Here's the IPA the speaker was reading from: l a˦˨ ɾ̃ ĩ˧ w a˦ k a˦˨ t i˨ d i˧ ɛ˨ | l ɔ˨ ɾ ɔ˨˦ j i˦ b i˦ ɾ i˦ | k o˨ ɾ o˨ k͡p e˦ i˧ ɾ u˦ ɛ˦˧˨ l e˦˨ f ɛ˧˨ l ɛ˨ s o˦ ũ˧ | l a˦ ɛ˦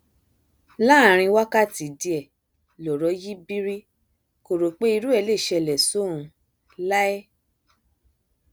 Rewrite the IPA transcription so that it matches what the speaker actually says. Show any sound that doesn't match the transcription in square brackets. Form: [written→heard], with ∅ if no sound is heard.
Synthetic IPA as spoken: l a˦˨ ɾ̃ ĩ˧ w a˦ k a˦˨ t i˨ d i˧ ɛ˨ | l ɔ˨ ɾ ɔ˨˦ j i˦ b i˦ ɾ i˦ | k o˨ ɾ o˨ k͡p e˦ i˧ ɾ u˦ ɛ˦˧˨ l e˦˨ [f→ʃ] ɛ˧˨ l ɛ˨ s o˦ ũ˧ | l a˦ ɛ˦